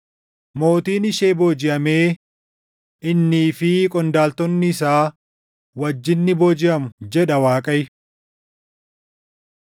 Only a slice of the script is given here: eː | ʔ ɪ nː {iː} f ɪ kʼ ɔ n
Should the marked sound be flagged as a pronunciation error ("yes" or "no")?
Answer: no